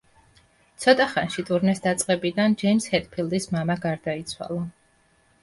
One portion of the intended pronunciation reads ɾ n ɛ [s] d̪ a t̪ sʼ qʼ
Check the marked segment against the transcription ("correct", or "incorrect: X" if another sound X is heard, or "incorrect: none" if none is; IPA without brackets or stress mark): correct